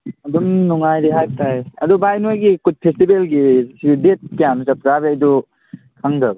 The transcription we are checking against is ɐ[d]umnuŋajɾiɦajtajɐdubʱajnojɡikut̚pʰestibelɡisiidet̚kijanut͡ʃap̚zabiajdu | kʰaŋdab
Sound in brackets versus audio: correct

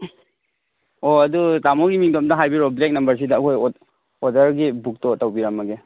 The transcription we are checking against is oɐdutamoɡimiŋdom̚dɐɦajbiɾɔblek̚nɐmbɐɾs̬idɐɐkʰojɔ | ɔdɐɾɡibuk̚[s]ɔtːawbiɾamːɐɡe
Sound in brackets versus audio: incorrect: t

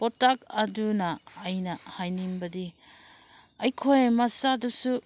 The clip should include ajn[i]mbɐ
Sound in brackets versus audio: correct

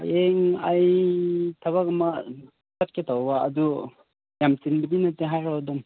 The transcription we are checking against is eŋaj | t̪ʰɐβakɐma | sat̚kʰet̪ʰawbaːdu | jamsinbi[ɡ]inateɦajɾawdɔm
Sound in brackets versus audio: incorrect: d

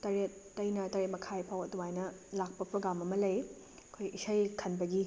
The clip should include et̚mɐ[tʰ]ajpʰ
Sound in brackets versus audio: incorrect: kʰ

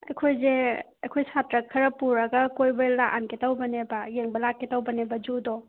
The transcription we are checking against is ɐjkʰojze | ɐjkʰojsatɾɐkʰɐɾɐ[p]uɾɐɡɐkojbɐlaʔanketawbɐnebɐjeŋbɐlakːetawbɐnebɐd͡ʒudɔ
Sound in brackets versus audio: correct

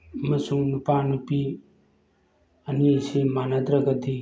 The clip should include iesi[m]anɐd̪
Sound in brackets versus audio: correct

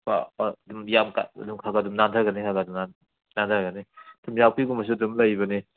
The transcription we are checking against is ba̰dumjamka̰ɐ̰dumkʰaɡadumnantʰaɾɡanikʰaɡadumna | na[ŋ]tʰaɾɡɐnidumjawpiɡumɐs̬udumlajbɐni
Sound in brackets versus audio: incorrect: n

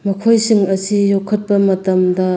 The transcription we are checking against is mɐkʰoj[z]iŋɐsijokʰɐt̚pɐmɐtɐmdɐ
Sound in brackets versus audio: incorrect: s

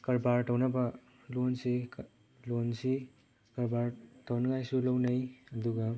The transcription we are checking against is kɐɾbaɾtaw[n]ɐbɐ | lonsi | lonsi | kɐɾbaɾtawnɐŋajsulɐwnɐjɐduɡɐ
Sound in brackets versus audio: correct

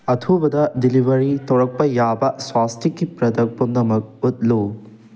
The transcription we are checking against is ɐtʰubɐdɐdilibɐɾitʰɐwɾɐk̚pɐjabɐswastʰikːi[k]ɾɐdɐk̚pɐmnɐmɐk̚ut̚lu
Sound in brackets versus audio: incorrect: p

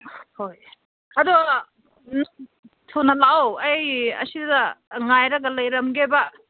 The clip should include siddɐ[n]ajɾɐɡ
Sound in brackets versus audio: incorrect: ŋ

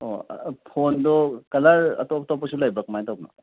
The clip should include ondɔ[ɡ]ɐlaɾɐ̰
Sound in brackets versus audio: incorrect: k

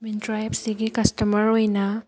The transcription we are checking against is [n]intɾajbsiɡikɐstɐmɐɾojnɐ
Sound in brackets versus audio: incorrect: m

